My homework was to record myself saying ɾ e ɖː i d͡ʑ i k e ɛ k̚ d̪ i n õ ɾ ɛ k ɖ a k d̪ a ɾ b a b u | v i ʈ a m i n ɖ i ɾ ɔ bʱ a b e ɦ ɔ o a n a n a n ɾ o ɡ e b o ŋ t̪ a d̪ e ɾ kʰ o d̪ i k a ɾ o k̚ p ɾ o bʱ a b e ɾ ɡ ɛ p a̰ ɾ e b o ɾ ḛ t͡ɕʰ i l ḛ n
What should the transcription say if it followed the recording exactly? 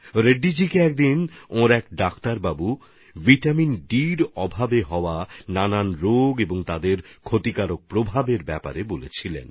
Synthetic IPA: ɾ e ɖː i d͡ʑ i k e ɛ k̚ d̪ i n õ ɾ ɛ k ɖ a k t̪ a ɾ b a b u | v i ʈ a m i n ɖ i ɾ ɔ bʱ a b e ɦ ɔ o a n a n a n ɾ o ɡ e b o ŋ t̪ a d̪ e ɾ kʰ o t̪ i k a ɾ o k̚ p ɾ o bʱ a b e ɾ b ɛ p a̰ ɾ e b o l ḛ t͡ɕʰ i l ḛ n